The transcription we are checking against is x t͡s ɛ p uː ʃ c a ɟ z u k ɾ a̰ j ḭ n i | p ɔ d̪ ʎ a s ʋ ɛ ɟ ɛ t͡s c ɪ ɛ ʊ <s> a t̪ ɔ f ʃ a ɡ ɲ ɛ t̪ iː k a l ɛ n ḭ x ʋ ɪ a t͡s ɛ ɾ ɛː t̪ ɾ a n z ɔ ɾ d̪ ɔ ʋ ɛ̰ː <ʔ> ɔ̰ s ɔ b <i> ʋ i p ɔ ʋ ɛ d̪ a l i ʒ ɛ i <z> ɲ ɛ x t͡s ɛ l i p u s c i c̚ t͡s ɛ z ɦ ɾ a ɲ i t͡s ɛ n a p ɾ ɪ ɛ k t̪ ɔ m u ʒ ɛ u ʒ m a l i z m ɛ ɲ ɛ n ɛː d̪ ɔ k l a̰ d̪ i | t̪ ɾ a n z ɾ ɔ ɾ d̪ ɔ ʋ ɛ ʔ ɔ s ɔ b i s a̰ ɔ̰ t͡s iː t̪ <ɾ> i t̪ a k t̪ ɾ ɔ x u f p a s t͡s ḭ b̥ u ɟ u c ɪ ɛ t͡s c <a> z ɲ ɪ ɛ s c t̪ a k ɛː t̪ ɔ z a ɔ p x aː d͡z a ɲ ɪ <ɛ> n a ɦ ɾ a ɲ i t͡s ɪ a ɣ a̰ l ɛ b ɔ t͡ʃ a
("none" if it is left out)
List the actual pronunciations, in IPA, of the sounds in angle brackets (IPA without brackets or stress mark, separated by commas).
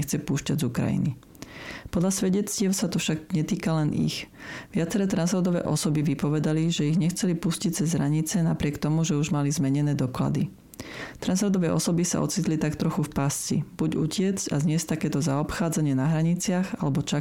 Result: s, ʔ, i, ɣ, l, a, ɛ